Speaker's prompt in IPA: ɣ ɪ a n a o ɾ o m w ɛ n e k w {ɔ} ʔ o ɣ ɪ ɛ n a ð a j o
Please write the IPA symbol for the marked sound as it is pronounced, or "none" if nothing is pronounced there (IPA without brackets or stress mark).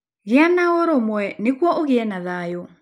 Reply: ɔ